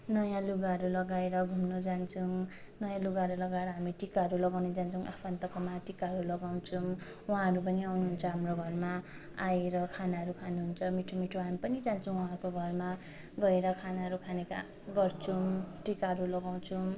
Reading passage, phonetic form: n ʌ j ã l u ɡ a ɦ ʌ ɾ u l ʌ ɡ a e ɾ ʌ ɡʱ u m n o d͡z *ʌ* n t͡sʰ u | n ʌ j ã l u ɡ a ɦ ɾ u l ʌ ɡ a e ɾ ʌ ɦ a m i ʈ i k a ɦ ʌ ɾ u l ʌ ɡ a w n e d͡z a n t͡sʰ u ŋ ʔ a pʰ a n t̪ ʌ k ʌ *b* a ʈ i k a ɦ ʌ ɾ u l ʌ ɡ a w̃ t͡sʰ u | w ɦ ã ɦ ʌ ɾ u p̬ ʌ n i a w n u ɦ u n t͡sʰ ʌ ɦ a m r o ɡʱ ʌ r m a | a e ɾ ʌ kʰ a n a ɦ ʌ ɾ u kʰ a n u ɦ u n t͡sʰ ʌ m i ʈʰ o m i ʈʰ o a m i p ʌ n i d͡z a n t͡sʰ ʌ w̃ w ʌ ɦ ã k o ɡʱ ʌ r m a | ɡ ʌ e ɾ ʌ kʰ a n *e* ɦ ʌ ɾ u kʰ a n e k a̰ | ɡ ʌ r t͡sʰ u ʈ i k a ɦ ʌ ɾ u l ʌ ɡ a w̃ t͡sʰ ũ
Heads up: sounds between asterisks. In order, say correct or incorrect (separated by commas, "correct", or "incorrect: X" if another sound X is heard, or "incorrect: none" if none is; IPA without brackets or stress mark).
incorrect: a, incorrect: m, incorrect: a